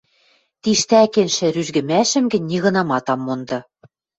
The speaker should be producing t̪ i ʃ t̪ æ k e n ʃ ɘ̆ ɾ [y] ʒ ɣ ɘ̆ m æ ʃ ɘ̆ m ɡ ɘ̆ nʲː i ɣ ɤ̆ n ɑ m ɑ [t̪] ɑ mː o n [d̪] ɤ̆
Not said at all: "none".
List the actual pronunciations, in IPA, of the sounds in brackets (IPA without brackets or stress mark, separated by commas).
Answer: y, t̪, d̪